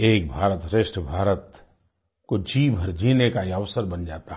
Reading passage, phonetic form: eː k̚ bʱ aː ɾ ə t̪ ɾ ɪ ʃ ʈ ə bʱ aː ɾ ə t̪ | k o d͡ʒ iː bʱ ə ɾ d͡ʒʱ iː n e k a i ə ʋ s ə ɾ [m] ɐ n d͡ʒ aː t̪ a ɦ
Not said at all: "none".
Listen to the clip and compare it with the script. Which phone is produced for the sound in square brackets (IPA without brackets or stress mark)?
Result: b